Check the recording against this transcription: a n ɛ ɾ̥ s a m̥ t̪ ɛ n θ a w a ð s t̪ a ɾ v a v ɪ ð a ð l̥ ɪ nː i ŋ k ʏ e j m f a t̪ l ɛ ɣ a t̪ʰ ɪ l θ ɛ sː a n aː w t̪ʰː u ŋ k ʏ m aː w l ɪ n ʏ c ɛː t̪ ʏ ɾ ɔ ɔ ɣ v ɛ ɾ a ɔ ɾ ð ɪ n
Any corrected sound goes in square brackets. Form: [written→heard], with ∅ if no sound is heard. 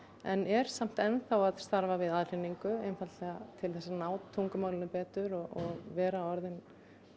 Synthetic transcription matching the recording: [a→ɛ] n ɛ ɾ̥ s a m̥ t̪ ɛ n θ a w a ð s t̪ a ɾ v a v ɪ ð a ð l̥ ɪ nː i ŋ k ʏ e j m f a t̪ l ɛ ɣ a t̪ʰ ɪ l θ ɛ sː a n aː w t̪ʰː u ŋ k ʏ m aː w l ɪ n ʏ [c→p] ɛː t̪ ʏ ɾ ɔ ɔ ɣ v [ɛ→ɛː] ɾ a ɔ ɾ ð ɪ n